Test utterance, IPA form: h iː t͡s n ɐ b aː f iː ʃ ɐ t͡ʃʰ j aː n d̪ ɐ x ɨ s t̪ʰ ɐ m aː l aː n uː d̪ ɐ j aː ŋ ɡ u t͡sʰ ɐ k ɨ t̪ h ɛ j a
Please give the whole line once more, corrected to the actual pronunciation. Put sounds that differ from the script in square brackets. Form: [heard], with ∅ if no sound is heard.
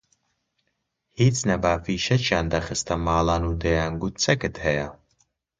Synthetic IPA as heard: h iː t͡s n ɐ b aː f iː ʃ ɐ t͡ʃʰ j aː n d̪ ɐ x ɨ s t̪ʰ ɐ m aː l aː n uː d̪ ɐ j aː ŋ ɡ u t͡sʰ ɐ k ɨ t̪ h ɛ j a